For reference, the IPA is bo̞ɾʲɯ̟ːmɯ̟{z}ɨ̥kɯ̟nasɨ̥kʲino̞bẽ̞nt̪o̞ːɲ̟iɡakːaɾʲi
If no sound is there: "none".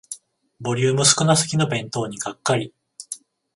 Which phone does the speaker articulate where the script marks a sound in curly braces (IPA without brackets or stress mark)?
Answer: s